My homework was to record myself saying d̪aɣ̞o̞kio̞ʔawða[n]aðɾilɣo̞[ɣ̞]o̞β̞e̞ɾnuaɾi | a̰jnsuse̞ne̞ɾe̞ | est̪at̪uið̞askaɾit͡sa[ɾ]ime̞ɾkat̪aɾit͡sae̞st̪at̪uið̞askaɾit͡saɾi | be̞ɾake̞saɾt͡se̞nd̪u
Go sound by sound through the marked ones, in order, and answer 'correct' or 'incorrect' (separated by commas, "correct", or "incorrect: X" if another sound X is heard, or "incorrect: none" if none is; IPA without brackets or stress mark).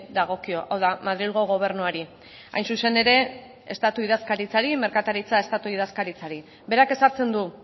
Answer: incorrect: m, correct, correct